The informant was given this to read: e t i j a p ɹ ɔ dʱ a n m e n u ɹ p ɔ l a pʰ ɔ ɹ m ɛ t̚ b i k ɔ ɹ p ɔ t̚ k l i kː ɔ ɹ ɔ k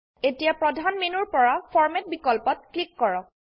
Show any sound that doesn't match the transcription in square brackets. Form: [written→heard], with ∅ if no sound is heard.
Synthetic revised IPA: e t i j a p ɹ ɔ dʱ a n m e n u ɹ p ɔ [l→ɹ] a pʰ ɔ ɹ m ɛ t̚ b i k ɔ [ɹ→l] p ɔ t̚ k l i kː ɔ ɹ ɔ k